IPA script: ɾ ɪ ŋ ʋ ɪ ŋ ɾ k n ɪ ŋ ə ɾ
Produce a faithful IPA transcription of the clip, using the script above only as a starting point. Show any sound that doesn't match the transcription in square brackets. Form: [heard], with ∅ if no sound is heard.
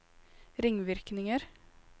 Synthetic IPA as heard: ɾ ɪ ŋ ʋ ɪ [∅] ɾ k n ɪ ŋ ə ɾ